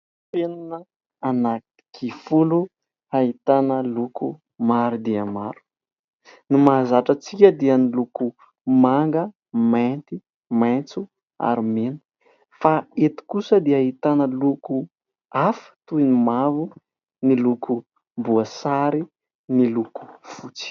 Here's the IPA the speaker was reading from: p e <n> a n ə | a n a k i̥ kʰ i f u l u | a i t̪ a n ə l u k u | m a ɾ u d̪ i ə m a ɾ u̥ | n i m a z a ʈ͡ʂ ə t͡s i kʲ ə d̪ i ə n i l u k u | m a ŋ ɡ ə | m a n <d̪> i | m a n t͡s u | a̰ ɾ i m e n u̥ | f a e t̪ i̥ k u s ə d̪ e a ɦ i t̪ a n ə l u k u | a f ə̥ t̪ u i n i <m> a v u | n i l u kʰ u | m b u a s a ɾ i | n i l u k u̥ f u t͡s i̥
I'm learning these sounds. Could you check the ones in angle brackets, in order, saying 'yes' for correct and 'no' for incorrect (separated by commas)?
yes, no, yes